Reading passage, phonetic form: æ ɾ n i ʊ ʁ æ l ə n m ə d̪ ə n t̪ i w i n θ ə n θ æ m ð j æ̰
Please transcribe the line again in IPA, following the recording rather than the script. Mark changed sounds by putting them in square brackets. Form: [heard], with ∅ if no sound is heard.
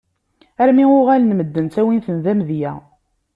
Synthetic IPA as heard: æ ɾ [m] i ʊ ʁ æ l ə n m ə [d̪ː] ə n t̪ [æ] w i n θ ə n [ð] æ m ð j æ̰